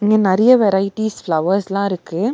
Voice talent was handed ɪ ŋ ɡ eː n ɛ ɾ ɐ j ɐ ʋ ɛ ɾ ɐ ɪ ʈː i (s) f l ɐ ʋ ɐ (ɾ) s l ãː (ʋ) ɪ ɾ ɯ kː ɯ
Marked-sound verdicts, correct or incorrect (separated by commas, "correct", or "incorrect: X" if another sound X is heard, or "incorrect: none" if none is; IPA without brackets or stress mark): correct, correct, incorrect: none